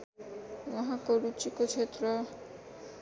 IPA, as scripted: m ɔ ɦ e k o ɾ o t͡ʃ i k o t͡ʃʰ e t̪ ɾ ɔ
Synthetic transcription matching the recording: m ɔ ɦ a k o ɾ u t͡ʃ i k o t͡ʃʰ e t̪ ɾ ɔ